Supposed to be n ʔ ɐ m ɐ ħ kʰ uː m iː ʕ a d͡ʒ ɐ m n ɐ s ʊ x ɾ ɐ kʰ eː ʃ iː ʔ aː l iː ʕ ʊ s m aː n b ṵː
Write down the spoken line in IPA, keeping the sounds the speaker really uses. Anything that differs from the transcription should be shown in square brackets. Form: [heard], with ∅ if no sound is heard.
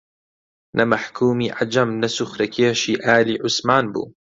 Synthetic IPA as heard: n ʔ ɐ m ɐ ħ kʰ uː m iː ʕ a d͡ʒ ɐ m n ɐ s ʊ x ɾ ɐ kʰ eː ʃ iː ʔ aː l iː ʕ ʊ s m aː n b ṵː